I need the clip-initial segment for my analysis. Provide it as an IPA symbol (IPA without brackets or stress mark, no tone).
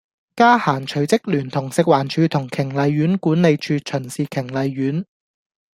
k